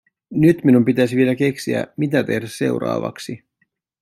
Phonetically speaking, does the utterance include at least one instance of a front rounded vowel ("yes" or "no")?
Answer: yes